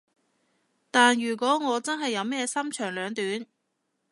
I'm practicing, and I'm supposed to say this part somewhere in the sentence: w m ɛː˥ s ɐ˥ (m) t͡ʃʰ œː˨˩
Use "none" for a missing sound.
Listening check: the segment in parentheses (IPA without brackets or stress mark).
m